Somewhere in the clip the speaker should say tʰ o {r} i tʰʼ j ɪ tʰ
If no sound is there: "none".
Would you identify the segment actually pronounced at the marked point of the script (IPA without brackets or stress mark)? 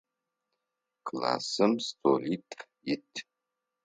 l